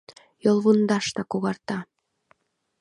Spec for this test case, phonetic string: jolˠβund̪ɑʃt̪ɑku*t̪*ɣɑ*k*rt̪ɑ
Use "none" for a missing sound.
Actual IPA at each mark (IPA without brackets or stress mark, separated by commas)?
none, none